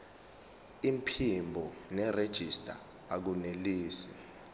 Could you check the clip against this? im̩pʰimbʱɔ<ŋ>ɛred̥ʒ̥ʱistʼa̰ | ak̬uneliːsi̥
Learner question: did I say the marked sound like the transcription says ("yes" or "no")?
no